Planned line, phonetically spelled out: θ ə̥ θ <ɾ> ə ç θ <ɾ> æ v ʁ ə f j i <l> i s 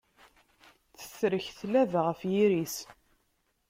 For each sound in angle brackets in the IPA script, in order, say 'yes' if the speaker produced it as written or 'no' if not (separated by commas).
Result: yes, no, no